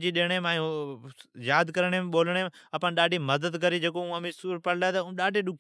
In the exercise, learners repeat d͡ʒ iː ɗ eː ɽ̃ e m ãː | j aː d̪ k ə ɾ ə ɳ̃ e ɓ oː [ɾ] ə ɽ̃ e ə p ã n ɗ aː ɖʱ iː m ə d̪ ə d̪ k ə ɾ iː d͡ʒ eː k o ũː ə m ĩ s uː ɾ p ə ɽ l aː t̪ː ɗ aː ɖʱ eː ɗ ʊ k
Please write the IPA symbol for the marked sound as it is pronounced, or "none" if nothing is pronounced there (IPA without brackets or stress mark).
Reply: l